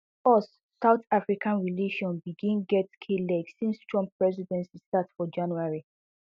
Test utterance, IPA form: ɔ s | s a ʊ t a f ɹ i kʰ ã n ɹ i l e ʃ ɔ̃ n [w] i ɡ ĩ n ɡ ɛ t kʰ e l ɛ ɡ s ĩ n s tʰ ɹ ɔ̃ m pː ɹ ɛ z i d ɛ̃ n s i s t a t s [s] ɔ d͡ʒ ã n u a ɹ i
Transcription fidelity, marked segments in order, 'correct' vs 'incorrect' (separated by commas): incorrect, incorrect